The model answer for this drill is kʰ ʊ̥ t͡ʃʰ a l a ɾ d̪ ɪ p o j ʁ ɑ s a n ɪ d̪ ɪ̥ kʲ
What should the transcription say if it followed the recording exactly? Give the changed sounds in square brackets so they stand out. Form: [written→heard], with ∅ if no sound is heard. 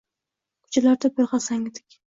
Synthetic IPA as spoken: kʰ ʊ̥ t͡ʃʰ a l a ɾ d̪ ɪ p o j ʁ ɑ s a [n→ŋ] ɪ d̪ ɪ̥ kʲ